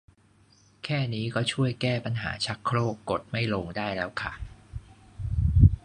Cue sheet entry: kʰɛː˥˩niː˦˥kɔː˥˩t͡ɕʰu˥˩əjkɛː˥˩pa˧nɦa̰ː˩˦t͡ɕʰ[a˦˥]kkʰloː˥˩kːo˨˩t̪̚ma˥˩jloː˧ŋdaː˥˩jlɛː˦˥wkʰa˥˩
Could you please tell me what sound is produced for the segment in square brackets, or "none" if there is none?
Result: a˦˥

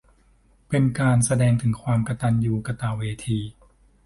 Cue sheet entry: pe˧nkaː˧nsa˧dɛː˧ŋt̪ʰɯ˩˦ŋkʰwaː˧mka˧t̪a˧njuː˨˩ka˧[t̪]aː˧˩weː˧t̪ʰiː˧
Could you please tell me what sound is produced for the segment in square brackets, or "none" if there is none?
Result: t̪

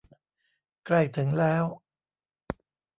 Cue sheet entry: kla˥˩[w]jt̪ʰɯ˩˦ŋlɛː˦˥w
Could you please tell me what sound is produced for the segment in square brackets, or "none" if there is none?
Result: none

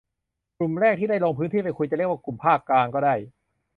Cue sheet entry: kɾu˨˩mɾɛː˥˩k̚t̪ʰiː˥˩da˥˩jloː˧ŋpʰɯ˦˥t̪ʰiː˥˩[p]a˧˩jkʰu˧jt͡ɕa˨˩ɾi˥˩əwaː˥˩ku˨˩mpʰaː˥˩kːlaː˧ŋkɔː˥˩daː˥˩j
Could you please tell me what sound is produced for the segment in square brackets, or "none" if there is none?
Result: p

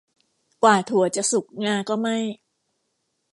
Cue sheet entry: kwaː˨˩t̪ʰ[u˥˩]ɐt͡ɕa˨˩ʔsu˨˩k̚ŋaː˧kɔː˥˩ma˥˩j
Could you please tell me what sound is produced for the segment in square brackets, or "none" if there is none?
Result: u˨˩˦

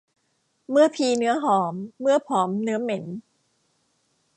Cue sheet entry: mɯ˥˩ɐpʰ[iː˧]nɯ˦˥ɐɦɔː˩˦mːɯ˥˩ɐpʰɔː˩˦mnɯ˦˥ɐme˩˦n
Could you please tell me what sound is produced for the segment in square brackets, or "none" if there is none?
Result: iː˧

